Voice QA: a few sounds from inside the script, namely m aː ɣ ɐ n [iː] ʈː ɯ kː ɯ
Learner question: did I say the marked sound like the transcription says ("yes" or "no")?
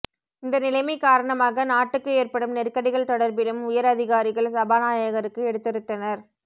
no